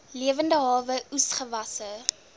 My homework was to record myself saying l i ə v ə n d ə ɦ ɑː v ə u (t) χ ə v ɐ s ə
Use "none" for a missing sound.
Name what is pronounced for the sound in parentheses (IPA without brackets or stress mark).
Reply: s